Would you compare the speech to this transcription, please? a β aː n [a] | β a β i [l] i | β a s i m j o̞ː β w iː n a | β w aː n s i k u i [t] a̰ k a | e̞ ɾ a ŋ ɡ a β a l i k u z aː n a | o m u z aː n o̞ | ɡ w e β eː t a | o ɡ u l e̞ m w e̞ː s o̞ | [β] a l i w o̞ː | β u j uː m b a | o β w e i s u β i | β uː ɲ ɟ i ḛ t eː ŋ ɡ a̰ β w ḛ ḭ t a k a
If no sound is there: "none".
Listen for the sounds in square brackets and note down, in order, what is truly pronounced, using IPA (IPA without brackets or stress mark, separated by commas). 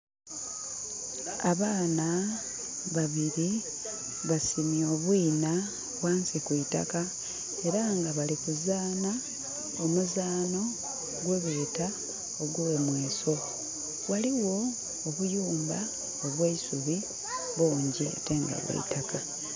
a, ɾ, t, w